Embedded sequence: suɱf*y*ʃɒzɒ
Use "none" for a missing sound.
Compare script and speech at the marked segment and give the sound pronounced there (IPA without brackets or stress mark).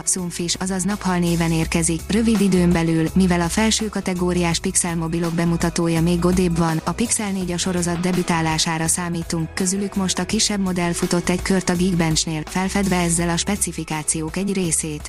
i